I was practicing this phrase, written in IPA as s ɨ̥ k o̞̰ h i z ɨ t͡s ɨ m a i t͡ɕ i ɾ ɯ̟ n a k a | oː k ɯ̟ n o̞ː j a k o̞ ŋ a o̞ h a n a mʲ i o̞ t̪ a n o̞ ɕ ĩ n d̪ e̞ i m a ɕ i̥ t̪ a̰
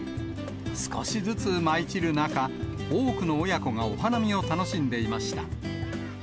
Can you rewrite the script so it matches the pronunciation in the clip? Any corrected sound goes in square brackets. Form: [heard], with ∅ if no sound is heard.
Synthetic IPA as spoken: s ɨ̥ k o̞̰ [ɕ] i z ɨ t͡s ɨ m a i t͡ɕ i ɾ ɯ̟ n a k a | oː k ɯ̟ n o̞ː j a k o̞ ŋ a o̞ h a n a mʲ i o̞ t̪ a n o̞ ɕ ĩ n d̪ e̞ i m a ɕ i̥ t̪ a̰